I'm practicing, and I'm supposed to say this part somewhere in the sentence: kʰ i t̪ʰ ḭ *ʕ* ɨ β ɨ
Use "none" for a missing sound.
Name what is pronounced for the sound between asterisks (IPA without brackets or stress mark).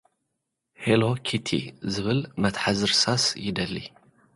z